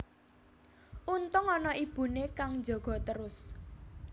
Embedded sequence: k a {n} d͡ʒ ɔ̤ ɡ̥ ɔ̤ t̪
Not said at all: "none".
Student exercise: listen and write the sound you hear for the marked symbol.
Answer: ŋ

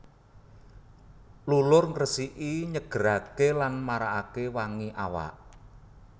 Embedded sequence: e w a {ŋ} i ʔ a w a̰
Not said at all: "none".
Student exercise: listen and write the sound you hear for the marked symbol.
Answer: ŋ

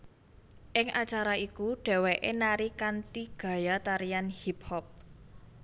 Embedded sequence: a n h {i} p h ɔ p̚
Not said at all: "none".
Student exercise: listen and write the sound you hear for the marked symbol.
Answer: i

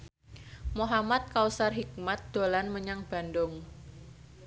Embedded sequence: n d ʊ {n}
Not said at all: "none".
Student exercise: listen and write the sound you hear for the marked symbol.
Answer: ŋ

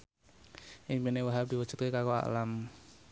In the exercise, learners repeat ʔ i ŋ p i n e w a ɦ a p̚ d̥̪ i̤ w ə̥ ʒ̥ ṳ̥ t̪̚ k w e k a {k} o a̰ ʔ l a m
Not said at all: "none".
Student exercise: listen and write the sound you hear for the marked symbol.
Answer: k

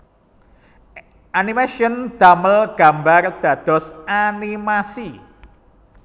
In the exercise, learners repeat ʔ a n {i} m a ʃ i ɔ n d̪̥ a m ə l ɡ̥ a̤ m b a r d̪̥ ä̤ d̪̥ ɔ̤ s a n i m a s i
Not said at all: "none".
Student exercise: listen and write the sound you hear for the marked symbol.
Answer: i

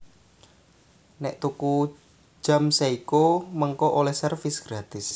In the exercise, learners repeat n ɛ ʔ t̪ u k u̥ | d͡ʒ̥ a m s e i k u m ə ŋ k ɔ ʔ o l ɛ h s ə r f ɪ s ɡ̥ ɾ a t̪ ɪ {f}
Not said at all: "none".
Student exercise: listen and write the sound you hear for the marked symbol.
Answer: s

